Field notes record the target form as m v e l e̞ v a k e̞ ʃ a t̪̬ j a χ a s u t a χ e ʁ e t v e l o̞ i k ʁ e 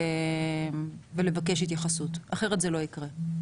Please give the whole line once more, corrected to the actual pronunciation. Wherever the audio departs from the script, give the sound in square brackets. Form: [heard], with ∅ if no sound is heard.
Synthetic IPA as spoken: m v e l e̞ v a k e̞ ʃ [i] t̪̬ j a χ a s u t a χ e ʁ e t [z] e l o̞ i k ʁ e